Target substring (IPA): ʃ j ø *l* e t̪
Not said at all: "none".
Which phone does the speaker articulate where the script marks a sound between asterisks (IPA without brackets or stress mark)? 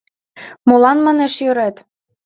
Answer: ɾ